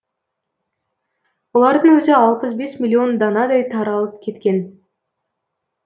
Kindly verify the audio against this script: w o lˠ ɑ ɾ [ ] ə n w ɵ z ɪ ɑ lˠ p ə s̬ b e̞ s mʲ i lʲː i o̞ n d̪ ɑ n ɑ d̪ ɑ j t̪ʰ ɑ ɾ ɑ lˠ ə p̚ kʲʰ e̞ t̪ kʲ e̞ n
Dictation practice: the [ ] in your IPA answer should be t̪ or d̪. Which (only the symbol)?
d̪